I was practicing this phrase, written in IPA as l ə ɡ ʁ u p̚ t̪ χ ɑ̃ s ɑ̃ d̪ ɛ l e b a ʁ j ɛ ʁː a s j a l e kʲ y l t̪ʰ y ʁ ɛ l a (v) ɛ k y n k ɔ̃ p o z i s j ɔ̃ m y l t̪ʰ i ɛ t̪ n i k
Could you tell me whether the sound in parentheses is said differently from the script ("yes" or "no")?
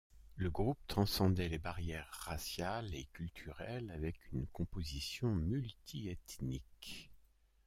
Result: no